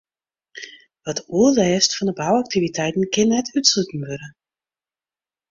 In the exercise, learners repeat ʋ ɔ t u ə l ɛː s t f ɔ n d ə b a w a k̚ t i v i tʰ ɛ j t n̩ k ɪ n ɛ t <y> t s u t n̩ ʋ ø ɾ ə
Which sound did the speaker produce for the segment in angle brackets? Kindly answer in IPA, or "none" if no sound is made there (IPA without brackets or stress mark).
y